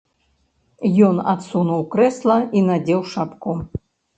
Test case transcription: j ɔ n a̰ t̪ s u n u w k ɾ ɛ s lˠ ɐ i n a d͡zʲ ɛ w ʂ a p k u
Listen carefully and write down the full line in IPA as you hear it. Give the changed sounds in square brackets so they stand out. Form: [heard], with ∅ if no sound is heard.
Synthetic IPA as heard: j ɔ n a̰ t̪ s u n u w k ɾ ɛ s lˠ ɐ i n a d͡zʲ ɛ w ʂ a p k u

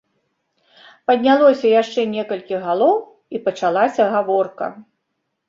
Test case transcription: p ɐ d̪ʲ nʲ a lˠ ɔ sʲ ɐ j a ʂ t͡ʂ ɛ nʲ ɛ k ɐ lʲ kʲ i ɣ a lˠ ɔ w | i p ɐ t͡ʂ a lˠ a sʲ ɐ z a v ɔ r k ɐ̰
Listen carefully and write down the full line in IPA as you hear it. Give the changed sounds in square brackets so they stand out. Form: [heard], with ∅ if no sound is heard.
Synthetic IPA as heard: p ɐ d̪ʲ nʲ a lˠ ɔ sʲ ɐ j a ʂ t͡ʂ ɛ nʲ ɛ k ɐ lʲ kʲ i ɣ a lˠ ɔ w | i p ɐ t͡ʂ a lˠ a sʲ ɐ [ɣ] a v ɔ r k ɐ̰

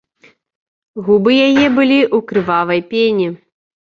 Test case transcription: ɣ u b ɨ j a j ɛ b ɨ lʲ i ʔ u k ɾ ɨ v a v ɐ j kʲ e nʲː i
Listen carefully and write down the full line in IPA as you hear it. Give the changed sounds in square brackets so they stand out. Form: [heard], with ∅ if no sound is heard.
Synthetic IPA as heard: ɣ u b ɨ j a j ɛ b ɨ lʲ i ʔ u k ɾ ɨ v a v ɐ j [pʲ] e [nʲ] i

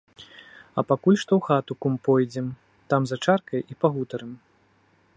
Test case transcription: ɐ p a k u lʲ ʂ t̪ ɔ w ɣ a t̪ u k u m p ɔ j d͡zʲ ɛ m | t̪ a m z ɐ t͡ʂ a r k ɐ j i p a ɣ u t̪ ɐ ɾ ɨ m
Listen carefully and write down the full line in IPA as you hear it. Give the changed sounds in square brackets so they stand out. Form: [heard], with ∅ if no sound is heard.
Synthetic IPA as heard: ɐ p a k u lʲ ʂ t̪ ɔ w [x] a t̪ u k u m p ɔ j d͡zʲ ɛ m | t̪ a m z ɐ t͡ʂ a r k ɐ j i p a ɣ u t̪ ɐ ɾ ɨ m

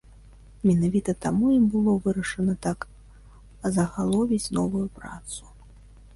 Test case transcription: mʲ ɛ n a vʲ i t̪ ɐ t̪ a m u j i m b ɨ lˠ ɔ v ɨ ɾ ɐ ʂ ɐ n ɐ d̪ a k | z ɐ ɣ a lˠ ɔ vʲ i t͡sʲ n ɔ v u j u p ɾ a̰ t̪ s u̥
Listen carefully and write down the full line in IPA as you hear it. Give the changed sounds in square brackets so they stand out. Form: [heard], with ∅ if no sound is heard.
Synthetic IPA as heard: mʲ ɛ n a vʲ i t̪ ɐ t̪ a m u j i m b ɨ lˠ ɔ v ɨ ɾ ɐ ʂ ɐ n ɐ [t̪] a k | z ɐ ɣ a lˠ ɔ vʲ i t͡sʲ n ɔ v u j u p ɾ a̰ t̪ s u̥

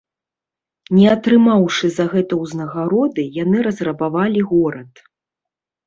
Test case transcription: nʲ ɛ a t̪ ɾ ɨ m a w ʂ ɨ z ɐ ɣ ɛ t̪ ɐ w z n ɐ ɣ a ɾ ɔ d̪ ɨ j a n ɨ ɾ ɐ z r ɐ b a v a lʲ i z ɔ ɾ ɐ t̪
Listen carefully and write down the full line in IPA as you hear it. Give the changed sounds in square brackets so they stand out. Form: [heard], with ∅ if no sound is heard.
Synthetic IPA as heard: nʲ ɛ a t̪ ɾ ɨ m a w ʂ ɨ z ɐ ɣ ɛ t̪ ɐ w z n ɐ ɣ a ɾ ɔ d̪ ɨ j a n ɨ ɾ ɐ z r ɐ b a v a lʲ i [ɣ] ɔ ɾ ɐ t̪

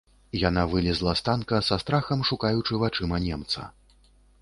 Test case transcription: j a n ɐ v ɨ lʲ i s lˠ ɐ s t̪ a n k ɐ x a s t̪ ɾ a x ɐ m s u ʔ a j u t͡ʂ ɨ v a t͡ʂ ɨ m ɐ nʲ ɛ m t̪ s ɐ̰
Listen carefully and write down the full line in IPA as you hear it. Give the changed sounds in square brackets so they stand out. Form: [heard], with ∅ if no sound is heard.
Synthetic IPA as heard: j a n [a] v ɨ lʲ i [z] lˠ ɐ s t̪ a n k ɐ [s] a s t̪ ɾ a x ɐ m [ʂ] u [k] a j u t͡ʂ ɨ v a t͡ʂ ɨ m ɐ nʲ ɛ m t̪ s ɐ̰

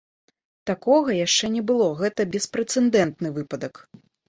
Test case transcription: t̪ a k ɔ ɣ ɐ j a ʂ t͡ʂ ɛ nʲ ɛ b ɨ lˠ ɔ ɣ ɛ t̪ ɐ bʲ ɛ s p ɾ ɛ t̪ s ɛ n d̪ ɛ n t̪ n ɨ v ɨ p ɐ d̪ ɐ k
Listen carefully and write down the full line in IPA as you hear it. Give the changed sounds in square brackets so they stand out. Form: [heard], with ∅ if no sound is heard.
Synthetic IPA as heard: t̪ a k ɔ ɣ ɐ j a ʂ t͡ʂ ɛ nʲ ɛ b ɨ lˠ ɔ ɣ ɛ t̪ ɐ bʲ ɛ s p ɾ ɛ t̪ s ɛ n d̪ ɛ n t̪ n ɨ v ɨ p ɐ d̪ ɐ k

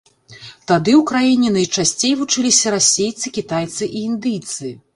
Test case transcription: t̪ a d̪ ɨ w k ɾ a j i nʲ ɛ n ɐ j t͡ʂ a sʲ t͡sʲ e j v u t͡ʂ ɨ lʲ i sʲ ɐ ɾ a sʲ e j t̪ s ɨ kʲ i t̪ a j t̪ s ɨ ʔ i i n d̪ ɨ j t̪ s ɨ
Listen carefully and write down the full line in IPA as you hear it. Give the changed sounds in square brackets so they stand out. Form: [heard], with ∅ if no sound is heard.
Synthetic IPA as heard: t̪ a d̪ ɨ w k ɾ a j i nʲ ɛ n ɐ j t͡ʂ a sʲ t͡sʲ e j v u t͡ʂ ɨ lʲ i sʲ ɐ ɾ a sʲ e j t̪ s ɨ kʲ i t̪ a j t̪ s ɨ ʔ i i n d̪ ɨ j t̪ s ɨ

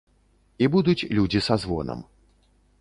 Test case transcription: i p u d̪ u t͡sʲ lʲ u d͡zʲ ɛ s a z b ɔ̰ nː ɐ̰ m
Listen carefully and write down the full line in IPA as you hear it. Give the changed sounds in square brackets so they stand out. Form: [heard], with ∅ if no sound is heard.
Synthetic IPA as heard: i [b] u d̪ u t͡sʲ lʲ u d͡zʲ [i] s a z [v] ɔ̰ [n] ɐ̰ m

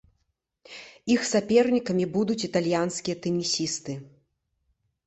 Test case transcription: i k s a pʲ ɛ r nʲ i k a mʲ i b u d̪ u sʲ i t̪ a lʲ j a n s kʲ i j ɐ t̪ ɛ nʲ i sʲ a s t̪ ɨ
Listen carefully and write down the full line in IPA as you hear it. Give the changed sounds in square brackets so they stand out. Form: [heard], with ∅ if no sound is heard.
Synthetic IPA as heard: i [x] s a pʲ ɛ r nʲ i k [ɐ] mʲ i b u d̪ u [t͡sʲ] i t̪ a lʲ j a n s kʲ i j ɐ t̪ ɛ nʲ i sʲ [i] s t̪ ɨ

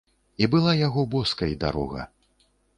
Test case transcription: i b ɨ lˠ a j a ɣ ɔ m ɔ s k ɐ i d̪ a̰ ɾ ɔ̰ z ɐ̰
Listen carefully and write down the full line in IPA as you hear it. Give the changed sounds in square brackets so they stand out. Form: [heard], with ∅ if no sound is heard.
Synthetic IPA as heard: i b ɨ lˠ a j a ɣ ɔ [b] ɔ s k ɐ [j] d̪ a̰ ɾ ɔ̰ [ɣ] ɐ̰

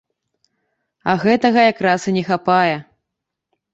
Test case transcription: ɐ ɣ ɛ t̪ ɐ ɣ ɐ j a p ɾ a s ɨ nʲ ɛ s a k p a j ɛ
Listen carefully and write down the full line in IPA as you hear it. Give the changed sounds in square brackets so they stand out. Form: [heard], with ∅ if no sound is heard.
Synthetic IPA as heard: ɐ ɣ ɛ t̪ ɐ ɣ ɐ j a [k] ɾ a s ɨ nʲ ɛ [x] a [∅] p a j ɛ

